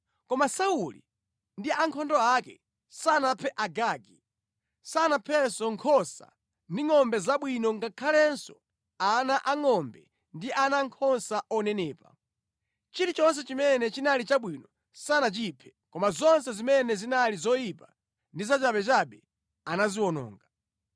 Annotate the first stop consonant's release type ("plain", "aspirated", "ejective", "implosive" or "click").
plain